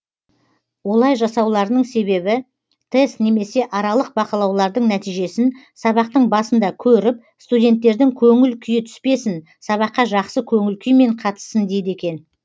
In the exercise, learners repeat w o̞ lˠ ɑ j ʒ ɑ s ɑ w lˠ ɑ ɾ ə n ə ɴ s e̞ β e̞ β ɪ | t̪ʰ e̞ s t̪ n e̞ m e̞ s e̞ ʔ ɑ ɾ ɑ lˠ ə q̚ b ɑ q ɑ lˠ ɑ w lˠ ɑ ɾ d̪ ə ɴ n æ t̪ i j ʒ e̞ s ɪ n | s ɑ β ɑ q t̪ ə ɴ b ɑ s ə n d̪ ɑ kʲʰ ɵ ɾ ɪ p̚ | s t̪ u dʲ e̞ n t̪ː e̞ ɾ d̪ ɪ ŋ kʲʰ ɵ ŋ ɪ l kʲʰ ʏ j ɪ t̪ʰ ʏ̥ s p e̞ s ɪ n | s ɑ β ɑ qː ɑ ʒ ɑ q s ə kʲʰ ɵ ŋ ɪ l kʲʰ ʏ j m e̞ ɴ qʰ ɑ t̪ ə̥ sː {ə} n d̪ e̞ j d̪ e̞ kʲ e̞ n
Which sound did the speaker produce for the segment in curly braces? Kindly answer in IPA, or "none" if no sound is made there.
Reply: ə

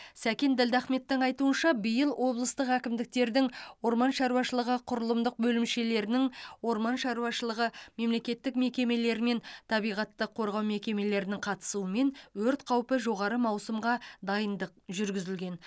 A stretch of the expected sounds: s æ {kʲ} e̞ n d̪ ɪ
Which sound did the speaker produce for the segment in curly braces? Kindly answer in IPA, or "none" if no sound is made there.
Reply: kʲ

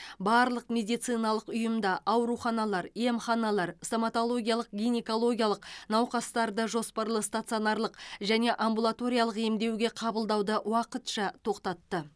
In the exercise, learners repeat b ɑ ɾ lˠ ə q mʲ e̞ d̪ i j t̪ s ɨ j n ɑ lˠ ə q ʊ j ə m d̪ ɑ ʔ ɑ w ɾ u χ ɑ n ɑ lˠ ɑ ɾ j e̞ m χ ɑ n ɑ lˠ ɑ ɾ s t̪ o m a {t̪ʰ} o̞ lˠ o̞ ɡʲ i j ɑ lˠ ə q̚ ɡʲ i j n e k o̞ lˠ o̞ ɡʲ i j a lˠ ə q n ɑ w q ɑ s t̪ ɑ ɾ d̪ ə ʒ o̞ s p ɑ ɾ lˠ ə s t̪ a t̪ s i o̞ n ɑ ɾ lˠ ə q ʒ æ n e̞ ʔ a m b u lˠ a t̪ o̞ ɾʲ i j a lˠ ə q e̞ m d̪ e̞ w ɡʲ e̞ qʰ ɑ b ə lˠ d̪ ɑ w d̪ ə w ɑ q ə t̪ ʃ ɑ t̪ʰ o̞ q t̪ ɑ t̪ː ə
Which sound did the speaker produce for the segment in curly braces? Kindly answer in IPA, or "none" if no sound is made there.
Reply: t̪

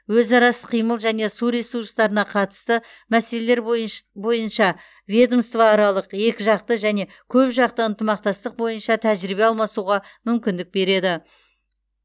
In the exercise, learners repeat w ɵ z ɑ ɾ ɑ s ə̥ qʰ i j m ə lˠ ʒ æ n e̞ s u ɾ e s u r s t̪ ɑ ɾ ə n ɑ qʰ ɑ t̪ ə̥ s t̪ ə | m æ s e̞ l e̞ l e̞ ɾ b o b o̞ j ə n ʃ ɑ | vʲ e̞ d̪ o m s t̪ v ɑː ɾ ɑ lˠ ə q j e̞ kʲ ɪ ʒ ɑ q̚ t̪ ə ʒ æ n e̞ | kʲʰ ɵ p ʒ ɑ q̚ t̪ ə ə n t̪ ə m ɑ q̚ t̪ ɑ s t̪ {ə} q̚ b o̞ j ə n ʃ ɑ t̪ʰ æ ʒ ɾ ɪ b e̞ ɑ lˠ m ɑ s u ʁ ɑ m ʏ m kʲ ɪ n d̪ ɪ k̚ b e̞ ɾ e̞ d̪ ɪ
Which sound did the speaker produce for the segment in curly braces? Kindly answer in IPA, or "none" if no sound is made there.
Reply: ə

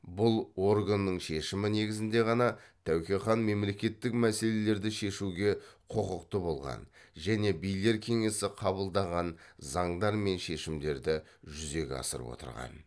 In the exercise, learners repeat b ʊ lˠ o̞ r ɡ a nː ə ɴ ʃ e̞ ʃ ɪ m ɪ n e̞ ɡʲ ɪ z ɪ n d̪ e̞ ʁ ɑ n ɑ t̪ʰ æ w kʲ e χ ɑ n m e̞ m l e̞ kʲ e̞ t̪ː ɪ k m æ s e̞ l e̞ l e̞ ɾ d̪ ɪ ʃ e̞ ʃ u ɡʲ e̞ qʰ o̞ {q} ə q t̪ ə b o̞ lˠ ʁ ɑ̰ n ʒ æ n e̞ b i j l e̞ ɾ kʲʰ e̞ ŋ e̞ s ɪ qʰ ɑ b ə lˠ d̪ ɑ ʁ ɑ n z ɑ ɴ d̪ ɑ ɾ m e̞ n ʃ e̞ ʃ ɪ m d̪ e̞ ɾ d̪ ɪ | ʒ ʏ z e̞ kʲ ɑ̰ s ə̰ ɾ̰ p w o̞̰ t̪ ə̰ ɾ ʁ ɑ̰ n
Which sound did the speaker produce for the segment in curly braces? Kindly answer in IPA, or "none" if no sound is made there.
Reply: q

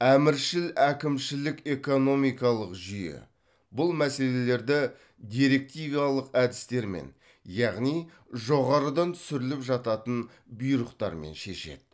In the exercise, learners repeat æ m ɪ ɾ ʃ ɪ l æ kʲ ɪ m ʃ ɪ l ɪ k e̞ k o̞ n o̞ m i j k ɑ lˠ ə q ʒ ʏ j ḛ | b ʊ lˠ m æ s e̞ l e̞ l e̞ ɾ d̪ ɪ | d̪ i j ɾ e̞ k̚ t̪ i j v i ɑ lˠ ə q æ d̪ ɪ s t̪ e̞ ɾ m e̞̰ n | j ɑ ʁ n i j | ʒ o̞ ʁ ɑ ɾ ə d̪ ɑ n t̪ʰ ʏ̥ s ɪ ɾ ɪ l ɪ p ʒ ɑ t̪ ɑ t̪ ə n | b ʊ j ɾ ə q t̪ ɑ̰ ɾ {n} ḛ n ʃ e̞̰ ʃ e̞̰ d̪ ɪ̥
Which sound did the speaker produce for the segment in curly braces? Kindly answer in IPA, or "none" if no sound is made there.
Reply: m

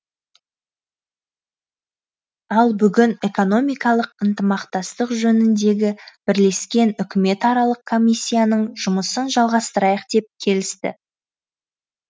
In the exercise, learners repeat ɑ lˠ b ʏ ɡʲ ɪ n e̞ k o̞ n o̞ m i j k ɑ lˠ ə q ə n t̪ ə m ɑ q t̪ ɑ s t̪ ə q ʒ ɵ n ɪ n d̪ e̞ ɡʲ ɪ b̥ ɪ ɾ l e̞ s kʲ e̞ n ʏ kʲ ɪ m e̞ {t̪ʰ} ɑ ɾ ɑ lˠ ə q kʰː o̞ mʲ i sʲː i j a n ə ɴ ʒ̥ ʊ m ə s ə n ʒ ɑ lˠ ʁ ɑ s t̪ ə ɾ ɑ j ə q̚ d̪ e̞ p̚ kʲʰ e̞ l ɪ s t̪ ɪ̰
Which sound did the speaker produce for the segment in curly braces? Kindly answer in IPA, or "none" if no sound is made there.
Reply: t̪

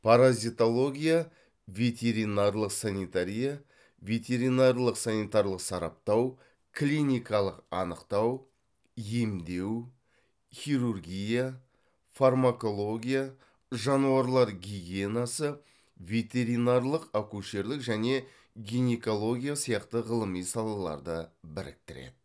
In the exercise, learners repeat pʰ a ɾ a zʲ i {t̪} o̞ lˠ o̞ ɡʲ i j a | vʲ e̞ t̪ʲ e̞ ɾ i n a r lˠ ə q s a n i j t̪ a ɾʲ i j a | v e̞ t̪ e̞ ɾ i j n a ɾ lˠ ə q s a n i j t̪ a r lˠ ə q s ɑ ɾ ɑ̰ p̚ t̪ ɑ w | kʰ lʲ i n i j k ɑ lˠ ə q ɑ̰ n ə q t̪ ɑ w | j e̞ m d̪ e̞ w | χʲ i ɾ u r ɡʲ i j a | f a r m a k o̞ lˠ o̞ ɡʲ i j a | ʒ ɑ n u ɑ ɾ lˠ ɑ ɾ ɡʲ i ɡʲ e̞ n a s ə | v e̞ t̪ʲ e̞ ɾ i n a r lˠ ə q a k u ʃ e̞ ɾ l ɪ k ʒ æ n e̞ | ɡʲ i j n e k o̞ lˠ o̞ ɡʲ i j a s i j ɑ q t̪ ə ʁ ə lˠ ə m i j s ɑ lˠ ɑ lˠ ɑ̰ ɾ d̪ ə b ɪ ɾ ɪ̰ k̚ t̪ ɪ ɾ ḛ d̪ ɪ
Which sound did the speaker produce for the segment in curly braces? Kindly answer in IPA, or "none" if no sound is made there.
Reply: t̪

